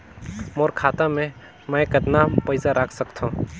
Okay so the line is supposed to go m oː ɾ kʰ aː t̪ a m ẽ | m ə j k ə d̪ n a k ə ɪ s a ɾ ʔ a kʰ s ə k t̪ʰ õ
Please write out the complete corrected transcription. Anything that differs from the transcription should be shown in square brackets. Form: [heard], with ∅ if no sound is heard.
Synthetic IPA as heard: m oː ɾ kʰ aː t̪ a m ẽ | m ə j k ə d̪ n a [p] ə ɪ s a ɾ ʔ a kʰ s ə k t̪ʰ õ